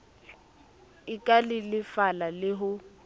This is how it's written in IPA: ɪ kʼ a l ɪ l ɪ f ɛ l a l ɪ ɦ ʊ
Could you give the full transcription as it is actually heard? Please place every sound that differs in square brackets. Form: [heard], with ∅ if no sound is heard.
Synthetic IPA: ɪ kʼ a l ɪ l ɪ f [a] l a l ɪ ɦ ʊ